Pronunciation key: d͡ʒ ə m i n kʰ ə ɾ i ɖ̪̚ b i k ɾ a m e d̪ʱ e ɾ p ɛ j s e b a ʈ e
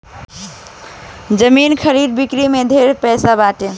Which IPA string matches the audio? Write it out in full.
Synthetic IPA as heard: d͡ʒ ə m i n kʰ ə ɾ i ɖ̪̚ b i k ɾ i m e d̪ʱ e ɾ p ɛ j s a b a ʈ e